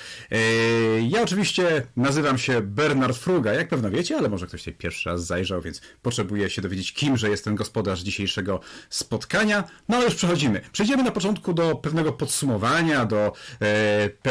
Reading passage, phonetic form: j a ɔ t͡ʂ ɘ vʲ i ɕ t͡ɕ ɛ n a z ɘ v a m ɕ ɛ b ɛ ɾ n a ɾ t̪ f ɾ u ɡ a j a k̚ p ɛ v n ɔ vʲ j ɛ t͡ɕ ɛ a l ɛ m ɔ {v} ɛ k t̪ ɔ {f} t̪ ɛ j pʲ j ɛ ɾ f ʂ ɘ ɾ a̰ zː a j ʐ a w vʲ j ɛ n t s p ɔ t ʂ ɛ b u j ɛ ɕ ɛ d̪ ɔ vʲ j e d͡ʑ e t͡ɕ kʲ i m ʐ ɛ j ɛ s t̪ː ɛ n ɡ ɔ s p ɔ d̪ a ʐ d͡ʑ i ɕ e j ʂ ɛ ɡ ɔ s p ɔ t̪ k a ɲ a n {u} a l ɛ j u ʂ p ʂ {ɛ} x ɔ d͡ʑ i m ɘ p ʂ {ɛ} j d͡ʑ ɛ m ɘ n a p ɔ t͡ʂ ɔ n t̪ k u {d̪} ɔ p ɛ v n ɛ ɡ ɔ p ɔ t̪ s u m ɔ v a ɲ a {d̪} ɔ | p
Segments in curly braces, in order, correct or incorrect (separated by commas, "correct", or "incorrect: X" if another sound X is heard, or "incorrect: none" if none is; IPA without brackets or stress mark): incorrect: ʐ, incorrect: ɕ, incorrect: ɔ, correct, correct, correct, correct